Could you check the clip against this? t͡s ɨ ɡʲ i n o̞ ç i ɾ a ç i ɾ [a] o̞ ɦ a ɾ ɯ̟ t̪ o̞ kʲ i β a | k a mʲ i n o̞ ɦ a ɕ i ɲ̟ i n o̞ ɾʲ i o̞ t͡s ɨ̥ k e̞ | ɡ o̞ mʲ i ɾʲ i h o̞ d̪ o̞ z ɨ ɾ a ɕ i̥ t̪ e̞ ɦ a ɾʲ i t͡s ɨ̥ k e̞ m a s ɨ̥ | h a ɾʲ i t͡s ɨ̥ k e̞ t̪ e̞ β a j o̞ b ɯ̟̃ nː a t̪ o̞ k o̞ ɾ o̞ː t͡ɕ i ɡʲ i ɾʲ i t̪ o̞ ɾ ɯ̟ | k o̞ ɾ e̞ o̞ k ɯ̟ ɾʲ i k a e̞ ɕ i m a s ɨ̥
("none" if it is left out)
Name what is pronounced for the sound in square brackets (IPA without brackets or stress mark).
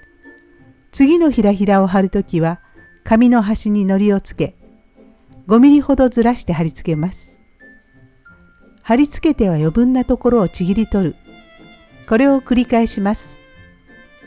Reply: a